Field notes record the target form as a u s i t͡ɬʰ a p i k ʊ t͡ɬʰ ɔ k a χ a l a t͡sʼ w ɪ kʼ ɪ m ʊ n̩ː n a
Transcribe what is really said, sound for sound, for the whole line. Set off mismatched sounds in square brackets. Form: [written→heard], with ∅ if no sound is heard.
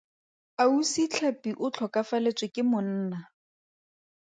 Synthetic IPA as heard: a u s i t͡ɬʰ a p i [k→ʔ] ʊ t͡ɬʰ ɔ k a [χ→f] a l [a→e] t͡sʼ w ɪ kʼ ɪ m ʊ n̩ː n a